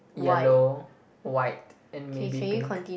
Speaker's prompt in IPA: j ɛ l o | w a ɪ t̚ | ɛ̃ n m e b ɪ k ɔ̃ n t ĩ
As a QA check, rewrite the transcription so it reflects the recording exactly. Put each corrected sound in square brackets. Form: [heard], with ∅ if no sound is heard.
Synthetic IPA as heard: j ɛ l o | w a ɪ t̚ | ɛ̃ n m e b [i] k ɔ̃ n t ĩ